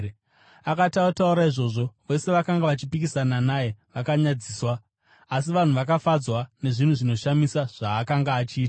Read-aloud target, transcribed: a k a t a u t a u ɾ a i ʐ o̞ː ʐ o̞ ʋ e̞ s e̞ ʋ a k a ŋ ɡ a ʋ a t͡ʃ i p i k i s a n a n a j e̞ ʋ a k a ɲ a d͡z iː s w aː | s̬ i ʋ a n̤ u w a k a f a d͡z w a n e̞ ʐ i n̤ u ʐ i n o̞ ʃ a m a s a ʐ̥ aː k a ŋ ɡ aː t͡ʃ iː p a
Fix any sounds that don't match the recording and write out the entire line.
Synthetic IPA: a k a t a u t a u ɾ a i ʐ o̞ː ʐ o̞ ʋ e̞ s e̞ ʋ a k a ŋ ɡ a ʋ a t͡ʃ i p i k i s a n a n a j e̞ ʋ a k a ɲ a d͡z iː s w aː | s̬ i ʋ a n̤ u ʋ a k a f a d͡z w a n e̞ ʐ i n̤ u ʐ i n o̞ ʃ a m i s a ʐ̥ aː k a ŋ ɡ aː t͡ʃ iː t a